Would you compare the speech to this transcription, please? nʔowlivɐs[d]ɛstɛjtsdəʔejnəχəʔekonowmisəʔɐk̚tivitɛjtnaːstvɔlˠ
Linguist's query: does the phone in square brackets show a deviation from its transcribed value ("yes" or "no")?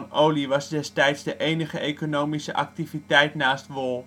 no